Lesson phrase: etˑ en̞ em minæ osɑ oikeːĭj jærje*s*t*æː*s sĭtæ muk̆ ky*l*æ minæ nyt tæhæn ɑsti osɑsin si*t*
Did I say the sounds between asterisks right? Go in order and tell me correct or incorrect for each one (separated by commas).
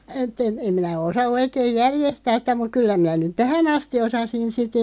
correct, correct, incorrect, correct